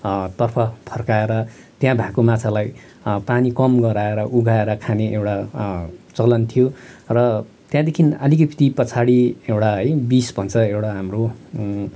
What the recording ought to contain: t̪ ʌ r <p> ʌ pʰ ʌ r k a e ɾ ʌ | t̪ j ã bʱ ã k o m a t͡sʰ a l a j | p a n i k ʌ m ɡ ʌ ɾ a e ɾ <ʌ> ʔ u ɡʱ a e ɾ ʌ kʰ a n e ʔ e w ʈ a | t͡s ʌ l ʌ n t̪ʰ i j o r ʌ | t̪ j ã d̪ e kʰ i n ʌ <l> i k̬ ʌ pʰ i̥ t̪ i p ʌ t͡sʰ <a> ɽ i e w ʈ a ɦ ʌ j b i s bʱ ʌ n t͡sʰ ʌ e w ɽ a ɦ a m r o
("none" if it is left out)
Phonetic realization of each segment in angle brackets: pʰ, ʌ, l, a

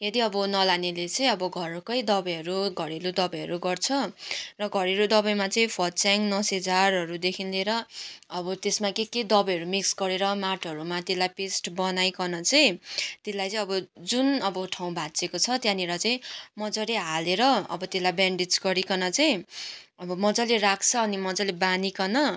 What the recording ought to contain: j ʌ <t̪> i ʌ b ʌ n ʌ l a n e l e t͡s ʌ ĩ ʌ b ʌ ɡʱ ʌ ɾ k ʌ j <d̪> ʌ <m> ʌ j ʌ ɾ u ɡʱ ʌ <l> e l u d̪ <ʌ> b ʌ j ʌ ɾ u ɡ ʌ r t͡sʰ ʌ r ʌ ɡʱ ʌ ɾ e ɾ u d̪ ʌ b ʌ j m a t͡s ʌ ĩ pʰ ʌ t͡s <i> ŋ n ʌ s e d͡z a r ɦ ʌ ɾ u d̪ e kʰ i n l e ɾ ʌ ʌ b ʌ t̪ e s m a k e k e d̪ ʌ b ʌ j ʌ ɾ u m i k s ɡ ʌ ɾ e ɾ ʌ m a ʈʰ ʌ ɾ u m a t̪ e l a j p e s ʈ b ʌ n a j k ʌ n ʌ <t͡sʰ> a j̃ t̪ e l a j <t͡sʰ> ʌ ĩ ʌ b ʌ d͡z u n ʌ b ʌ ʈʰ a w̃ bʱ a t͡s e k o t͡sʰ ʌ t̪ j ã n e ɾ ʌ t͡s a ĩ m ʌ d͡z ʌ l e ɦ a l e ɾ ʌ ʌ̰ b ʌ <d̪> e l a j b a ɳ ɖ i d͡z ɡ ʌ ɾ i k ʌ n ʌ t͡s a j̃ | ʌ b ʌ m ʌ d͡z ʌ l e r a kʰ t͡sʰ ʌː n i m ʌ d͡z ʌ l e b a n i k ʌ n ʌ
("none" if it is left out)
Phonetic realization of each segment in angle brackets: d̪, d̪, b, ɾ, ʌ, a, t͡s, t͡s, t̪

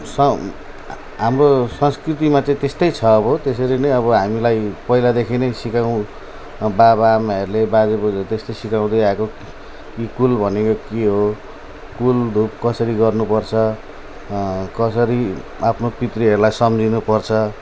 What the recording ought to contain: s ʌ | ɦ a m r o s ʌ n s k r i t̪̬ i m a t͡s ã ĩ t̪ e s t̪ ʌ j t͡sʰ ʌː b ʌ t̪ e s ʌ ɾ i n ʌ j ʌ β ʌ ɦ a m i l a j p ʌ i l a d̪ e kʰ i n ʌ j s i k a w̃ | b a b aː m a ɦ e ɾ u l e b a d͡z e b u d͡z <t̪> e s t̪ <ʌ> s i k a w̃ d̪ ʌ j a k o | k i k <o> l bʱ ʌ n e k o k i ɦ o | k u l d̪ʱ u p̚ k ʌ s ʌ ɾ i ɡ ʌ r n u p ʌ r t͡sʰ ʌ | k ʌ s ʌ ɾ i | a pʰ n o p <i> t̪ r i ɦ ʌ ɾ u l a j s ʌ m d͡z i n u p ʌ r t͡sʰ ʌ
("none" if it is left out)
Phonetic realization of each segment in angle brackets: t̪, ʌ, u, i

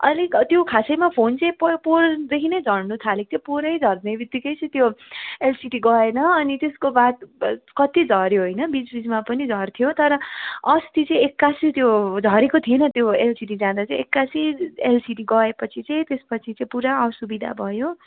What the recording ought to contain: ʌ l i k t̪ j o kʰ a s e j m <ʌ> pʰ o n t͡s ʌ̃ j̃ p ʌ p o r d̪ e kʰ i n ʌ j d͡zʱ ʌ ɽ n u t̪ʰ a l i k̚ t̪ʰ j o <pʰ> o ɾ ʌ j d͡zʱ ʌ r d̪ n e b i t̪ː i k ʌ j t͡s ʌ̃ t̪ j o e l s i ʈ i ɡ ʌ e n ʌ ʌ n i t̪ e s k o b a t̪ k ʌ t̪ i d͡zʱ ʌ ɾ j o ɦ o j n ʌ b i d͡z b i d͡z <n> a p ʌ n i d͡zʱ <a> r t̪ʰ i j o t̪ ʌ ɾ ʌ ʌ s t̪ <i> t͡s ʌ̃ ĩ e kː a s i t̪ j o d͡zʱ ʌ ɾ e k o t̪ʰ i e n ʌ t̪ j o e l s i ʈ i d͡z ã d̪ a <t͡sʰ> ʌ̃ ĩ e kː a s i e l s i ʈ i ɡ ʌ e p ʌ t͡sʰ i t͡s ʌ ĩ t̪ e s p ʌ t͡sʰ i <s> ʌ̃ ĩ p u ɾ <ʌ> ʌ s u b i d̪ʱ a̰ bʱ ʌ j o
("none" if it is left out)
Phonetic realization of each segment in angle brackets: a, p, m, ʌ, i, t͡s, t͡s, a

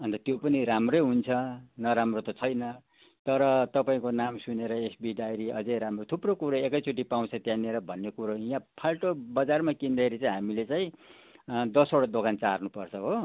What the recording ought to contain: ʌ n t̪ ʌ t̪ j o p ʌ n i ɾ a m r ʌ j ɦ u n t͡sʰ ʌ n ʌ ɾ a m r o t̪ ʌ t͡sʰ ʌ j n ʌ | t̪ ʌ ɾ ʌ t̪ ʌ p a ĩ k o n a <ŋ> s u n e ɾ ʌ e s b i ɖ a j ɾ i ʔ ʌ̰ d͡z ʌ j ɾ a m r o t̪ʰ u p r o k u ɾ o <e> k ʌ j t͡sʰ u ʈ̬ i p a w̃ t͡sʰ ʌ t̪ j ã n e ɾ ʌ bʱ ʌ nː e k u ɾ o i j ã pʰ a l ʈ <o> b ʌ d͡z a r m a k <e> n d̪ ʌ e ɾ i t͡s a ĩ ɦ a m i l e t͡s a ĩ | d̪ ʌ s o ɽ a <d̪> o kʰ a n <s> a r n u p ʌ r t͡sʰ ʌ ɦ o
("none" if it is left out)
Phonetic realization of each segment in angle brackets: m, e, o, i, d̪, t͡s

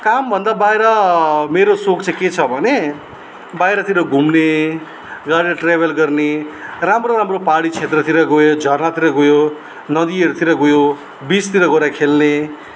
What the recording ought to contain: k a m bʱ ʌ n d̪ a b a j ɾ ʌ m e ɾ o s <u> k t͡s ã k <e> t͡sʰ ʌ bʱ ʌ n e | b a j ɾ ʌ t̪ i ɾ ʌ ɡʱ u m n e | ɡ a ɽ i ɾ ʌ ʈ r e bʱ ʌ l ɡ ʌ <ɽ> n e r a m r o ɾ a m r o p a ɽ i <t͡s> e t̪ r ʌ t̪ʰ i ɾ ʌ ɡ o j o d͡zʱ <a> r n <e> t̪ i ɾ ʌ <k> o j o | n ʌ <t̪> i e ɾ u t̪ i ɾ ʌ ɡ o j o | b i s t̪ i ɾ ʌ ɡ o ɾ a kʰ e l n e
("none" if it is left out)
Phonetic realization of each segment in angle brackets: o, e, r, t͡sʰ, ʌ, a, ɡ, d̪

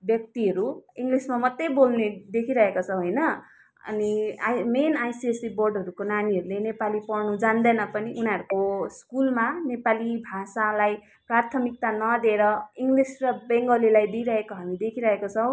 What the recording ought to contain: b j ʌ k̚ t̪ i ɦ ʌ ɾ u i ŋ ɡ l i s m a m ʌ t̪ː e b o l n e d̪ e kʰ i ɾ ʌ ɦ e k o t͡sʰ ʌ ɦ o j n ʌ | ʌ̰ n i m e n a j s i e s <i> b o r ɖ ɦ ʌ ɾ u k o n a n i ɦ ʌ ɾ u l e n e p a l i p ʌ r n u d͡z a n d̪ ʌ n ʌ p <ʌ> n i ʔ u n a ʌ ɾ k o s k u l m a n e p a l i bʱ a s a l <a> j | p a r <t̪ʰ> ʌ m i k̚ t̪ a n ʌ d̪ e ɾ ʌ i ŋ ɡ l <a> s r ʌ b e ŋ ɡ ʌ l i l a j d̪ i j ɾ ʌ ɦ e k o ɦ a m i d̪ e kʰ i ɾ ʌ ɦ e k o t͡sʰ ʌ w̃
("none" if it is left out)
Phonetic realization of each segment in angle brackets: i, ʌ, a, t̪ʰ, i

